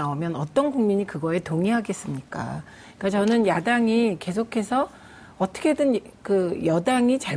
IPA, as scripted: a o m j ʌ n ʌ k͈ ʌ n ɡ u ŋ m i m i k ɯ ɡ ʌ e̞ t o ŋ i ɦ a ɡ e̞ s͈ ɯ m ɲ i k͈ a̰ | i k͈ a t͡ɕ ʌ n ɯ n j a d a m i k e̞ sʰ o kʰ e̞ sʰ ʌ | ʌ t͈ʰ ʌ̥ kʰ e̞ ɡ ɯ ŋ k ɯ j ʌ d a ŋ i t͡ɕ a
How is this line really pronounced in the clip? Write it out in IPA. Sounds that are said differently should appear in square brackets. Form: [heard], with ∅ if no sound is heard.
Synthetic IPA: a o m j ʌ n ʌ [t͈] ʌ n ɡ u ŋ m i [ɲ] i k ɯ ɡ ʌ e̞ t o ŋ i ɦ a ɡ e̞ s͈ ɯ m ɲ i k͈ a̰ | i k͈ a t͡ɕ ʌ n ɯ n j a d a [ŋ] i k e̞ sʰ o kʰ e̞ sʰ ʌ | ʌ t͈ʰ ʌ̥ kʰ e̞ [d] ɯ [n] k ɯ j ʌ d a ŋ i t͡ɕ a